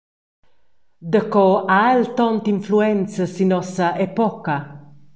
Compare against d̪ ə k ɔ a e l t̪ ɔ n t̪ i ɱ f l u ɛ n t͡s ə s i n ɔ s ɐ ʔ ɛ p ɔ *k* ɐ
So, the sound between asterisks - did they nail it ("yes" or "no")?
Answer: yes